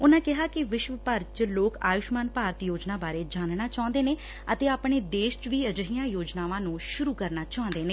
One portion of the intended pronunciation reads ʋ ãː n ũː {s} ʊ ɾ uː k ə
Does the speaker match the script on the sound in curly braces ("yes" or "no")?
no